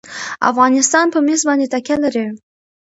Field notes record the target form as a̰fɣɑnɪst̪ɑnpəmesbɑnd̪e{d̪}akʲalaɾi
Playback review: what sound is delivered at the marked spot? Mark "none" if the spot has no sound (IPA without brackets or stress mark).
t̪